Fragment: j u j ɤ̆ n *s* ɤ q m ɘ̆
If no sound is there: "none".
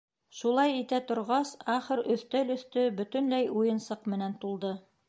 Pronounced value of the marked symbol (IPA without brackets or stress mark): s